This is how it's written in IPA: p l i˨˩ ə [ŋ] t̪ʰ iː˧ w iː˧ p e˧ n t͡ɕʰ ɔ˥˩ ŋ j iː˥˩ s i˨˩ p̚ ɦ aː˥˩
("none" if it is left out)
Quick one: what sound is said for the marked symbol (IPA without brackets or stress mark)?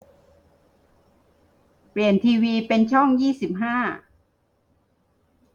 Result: n